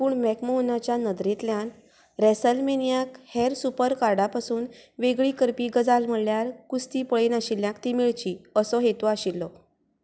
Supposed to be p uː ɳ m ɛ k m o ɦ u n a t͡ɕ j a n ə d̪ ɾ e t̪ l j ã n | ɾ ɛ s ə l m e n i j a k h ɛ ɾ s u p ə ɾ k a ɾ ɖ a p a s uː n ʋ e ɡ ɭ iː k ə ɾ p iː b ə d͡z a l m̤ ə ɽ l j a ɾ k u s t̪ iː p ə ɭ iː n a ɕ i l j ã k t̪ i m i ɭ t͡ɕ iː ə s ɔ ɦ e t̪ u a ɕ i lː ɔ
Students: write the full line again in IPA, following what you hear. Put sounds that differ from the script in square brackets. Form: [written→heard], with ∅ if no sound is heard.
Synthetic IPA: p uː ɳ m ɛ k m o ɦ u n a t͡ɕ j a n ə d̪ ɾ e t̪ l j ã n | ɾ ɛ s ə l m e n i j a k h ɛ ɾ s u p ə ɾ k a ɾ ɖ a p a s uː n ʋ e ɡ ɭ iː k ə ɾ p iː [b→ɡ] ə d͡z a l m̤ ə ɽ l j a ɾ k u s t̪ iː p ə ɭ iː n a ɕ i l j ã k t̪ i m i ɭ t͡ɕ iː ə s ɔ ɦ e t̪ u a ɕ i lː ɔ